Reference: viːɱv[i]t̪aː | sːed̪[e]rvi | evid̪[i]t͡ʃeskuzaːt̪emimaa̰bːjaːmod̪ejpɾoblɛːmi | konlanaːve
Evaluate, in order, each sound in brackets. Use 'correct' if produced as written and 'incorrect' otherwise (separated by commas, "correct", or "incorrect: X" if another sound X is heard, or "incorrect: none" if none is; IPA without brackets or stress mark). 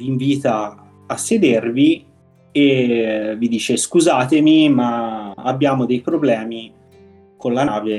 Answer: incorrect: iː, correct, incorrect: iː